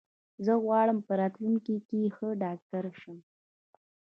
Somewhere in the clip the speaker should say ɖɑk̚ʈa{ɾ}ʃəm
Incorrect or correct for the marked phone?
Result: correct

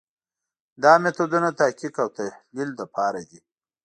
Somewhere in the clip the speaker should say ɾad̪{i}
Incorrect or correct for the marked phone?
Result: correct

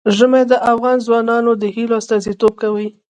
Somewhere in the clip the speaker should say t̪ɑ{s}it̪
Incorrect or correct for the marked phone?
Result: incorrect: z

